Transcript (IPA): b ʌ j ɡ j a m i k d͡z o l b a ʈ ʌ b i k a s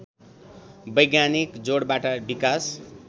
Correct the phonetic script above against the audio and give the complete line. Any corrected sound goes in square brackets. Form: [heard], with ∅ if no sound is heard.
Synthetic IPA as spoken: b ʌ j ɡ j a [n] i k d͡z o [ɽ] b a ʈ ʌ b i k a s

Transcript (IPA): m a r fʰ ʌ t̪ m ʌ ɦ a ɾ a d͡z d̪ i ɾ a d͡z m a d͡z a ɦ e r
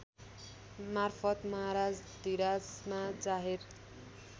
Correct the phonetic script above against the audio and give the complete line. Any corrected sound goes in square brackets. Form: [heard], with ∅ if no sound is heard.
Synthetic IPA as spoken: m a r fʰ ʌ t̪ m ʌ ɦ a ɾ a d͡z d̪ i ɾ a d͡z m a d͡z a ɦ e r

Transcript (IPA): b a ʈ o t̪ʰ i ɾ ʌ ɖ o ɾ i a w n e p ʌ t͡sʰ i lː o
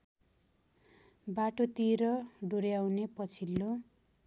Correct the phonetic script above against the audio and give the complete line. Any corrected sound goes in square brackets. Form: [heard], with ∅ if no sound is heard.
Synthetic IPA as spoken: b a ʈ o [t̪] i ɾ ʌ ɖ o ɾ [j] a w n e p ʌ t͡sʰ i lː o

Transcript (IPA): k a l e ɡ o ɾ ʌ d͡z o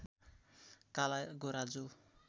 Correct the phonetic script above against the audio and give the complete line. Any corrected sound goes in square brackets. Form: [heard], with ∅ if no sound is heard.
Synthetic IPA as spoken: k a l [a] ɡ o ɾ [a] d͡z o

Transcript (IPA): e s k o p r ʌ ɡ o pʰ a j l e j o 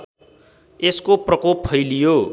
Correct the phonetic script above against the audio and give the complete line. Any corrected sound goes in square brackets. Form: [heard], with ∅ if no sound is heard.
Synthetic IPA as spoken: e s k o p r ʌ [k] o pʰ [ʌ] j l [i] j o

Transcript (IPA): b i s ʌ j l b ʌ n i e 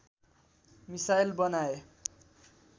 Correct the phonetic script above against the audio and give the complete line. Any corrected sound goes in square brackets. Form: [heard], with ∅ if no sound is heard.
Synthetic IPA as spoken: [m] i s [a] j l b ʌ n [a] e

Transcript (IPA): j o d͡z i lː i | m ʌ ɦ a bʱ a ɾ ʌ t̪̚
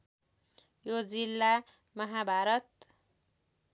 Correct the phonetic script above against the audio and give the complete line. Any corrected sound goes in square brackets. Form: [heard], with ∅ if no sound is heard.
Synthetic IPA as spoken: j o d͡z i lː [a] | m ʌ ɦ a bʱ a ɾ ʌ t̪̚

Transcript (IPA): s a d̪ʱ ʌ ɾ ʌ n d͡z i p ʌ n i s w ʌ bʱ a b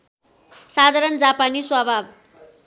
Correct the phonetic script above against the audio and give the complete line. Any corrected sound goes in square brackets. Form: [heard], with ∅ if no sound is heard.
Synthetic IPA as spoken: s a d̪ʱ [a] ɾ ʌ n d͡z [a] p [a] n i s w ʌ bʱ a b

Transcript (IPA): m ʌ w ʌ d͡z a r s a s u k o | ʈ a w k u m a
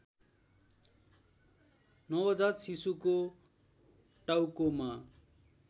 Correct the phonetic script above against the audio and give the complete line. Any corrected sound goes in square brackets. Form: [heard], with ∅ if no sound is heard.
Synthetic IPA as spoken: [n] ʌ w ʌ d͡z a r s [i] s u k o | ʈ a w k [o] m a

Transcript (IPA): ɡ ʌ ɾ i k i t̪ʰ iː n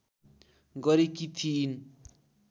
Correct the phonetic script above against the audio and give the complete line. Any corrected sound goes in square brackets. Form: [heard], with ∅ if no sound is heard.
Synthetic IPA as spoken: ɡ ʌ ɾ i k i t̪ʰ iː n

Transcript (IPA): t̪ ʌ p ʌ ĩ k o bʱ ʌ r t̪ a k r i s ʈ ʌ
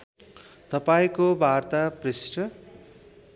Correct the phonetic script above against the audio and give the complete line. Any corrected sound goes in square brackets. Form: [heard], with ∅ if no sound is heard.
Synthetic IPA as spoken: t̪ ʌ p [a] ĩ k o bʱ [a] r t̪ a [p] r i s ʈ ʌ

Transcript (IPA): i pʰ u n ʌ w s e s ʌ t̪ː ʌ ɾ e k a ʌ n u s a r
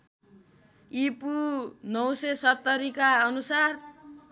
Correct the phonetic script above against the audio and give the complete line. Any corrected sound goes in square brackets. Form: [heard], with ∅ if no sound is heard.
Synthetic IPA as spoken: i [p] u n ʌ w s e s ʌ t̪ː ʌ ɾ [i] k a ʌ n u s a r

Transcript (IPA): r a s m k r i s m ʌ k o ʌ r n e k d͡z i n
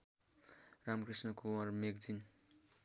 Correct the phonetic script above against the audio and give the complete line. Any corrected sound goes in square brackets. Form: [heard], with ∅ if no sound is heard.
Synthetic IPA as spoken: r a [∅] m k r i s [n] ʌ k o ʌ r [m] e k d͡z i n

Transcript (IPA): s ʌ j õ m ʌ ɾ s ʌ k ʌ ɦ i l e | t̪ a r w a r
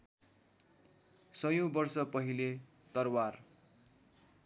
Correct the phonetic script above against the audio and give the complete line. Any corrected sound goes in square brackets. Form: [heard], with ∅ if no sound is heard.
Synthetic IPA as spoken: s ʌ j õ [b] ʌ [r] s ʌ [p] ʌ ɦ i l e | t̪ [ʌ] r w a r

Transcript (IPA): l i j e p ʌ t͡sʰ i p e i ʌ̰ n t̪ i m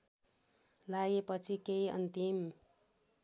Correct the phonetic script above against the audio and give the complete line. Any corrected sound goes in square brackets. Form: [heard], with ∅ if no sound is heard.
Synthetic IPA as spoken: l [a] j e p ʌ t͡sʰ i [k] e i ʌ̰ n t̪ i m

